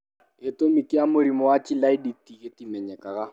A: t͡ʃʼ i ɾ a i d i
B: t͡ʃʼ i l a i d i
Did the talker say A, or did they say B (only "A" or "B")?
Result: B